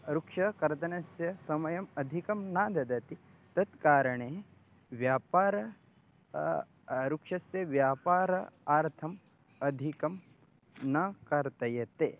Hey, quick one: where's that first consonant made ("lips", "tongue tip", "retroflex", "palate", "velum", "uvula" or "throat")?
tongue tip